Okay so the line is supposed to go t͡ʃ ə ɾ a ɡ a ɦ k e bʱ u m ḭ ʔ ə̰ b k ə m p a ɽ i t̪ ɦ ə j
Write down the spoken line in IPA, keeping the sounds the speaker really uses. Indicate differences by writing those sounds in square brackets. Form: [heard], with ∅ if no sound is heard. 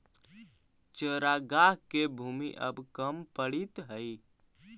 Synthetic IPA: t͡ʃ ə ɾ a ɡ a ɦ k e bʱ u m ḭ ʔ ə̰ b k ə m p [ə] ɽ i t̪ ɦ ə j